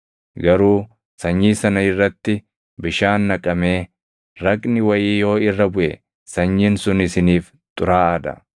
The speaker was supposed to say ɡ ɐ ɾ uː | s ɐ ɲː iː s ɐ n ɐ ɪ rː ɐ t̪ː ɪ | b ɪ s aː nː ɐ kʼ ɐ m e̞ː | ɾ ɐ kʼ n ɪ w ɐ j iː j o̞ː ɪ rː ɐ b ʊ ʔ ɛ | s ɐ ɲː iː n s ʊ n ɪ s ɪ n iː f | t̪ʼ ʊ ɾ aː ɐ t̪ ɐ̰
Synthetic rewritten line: ɡ ɐ ɾ uː | s ɐ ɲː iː s ɐ n ɐ ɪ rː ɐ t̪ː ɪ | b ɪ ʃ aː nː ɐ kʼ ɐ m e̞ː | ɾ ɐ kʼ n ɪ w ɐ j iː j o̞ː ɪ rː ɐ b ʊ ʔ ɛ | s ɐ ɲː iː n s ʊ n ɪ s ɪ n iː f | t̪ʼ ʊ ɾ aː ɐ d̪ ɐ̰

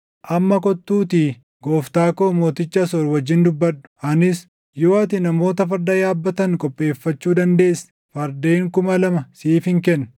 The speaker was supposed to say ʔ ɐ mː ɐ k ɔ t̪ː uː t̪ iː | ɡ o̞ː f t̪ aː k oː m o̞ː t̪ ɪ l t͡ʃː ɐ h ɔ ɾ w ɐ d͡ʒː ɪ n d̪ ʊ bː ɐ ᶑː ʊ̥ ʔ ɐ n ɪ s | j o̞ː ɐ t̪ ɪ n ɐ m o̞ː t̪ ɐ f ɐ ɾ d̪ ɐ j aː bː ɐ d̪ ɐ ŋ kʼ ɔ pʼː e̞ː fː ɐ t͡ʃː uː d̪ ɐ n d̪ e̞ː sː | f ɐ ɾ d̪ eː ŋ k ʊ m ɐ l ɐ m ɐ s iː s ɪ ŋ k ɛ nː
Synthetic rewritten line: ʔ ɐ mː ɐ k ɔ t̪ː uː t̪ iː | ɡ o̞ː f t̪ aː k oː m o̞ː t̪ ɪ t͡ʃː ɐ s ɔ ɾ w ɐ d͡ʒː ɪ n d̪ ʊ bː ɐ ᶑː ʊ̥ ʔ ɐ n ɪ s | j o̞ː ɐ t̪ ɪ n ɐ m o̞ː t̪ ɐ f ɐ ɾ d̪ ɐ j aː bː ɐ t̪ ɐ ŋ kʼ ɔ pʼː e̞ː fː ɐ t͡ʃː uː d̪ ɐ n d̪ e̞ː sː | f ɐ ɾ d̪ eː ŋ k ʊ m ɐ l ɐ m ɐ s iː f ɪ ŋ k ɛ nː

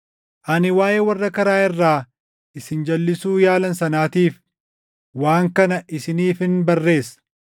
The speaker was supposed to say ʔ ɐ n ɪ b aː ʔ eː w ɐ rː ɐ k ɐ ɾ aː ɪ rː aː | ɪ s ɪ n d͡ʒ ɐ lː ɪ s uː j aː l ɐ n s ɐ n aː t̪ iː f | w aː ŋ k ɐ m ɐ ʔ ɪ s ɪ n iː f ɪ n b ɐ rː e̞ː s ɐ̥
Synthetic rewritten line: ʔ ɐ n ɪ w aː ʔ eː w ɐ rː ɐ k ɐ ɾ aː ɪ rː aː | ɪ s ɪ n d͡ʒ ɐ lː ɪ s uː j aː l ɐ n s ɐ n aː t̪ iː f | w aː ŋ k ɐ n ɐ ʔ ɪ s ɪ n iː f ɪ n b ɐ rː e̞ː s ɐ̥

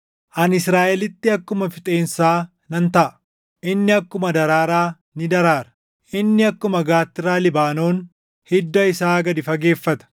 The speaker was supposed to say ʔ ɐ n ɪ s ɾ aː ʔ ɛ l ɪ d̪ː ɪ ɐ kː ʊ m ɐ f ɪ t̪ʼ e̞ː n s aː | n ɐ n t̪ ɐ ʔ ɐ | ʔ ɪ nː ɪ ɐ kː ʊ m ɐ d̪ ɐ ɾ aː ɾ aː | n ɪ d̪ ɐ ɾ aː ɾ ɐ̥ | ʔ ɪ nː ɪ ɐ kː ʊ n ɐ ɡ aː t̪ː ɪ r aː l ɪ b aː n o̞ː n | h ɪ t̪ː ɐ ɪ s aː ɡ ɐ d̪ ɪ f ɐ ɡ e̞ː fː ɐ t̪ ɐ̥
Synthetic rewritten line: ʔ ɐ n ɪ s ɾ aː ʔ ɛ l ɪ t̪ː ɪ ɐ kː ʊ m ɐ f ɪ t̪ʼ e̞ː n s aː | n ɐ n t̪ ɐ ʔ ɐ | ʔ ɪ nː ɪ ɐ kː ʊ m ɐ d̪ ɐ ɾ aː ɾ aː | n ɪ d̪ ɐ ɾ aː ɾ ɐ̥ | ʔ ɪ nː ɪ ɐ kː ʊ m ɐ ɡ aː t̪ː ɪ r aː l ɪ b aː n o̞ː n | h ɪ d̪ː ɐ ɪ s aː ɡ ɐ d̪ ɪ f ɐ ɡ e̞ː fː ɐ t̪ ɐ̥

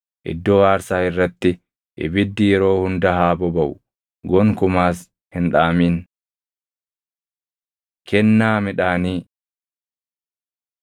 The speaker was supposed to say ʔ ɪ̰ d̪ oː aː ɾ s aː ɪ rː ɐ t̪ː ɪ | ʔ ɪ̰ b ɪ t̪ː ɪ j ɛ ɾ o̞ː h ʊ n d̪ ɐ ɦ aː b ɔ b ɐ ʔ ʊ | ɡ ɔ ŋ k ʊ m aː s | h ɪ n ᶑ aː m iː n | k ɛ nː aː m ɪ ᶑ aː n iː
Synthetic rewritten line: ʔ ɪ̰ d̪ː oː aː ɾ s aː ɪ rː ɐ t̪ː ɪ | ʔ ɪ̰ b ɪ d̪ː ɪ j ɛ ɾ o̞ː h ʊ n d̪ ɐ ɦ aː b ɔ b ɐ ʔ ʊ | ɡ ɔ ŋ k ʊ m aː s | h ɪ n ᶑ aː m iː n | k ɛ nː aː m ɪ ᶑ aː n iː

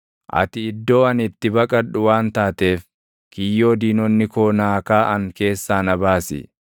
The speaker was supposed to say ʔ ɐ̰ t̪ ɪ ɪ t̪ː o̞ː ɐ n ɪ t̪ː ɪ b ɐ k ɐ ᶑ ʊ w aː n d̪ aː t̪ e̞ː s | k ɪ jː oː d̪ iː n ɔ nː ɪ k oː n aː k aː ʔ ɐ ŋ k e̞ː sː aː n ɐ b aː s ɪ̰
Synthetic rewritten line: ʔ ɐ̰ t̪ ɪ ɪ d̪ː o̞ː ɐ n ɪ t̪ː ɪ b ɐ kʼ ɐ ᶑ ʊ w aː n t̪ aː t̪ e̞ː f | k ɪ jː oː d̪ iː n ɔ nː ɪ k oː n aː k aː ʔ ɐ ŋ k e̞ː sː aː n ɐ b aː s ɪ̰

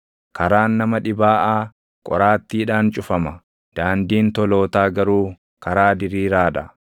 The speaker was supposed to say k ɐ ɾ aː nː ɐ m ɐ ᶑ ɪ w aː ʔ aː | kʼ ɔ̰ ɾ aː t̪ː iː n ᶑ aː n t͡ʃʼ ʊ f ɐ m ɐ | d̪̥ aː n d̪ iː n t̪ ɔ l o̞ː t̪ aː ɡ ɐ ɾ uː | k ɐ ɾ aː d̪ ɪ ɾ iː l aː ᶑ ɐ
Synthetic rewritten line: k ɐ ɾ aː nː ɐ m ɐ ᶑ ɪ b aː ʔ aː | kʼ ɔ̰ ɾ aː t̪ː iː ᶑ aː n t͡ʃʼ ʊ f ɐ m ɐ | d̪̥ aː n d̪ iː n t̪ ɔ l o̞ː t̪ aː ɡ ɐ ɾ uː | k ɐ ɾ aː d̪ ɪ ɾ iː ɾ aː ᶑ ɐ

